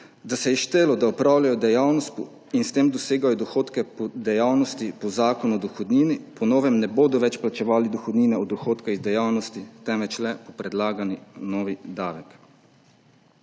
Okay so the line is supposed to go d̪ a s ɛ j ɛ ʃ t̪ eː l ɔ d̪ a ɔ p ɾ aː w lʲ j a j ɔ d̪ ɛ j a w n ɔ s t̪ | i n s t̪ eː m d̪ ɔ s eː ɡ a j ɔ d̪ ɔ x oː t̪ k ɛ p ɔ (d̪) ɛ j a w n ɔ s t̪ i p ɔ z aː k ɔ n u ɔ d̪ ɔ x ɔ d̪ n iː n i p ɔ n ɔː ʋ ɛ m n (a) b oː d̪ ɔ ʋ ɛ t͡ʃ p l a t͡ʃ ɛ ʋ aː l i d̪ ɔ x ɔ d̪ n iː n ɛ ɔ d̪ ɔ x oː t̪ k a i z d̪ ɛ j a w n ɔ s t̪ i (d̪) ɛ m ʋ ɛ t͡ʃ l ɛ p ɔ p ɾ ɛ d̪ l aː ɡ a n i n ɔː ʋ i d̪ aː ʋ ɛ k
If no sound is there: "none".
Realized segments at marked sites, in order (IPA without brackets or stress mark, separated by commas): d̪, ɛ, t̪